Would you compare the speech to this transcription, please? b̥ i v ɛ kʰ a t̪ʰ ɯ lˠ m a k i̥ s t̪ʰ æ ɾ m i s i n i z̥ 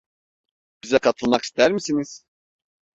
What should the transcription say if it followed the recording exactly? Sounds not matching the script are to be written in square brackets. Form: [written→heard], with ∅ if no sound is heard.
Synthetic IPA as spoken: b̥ i [v→z] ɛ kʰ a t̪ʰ ɯ lˠ m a k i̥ s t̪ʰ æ ɾ m i s i n i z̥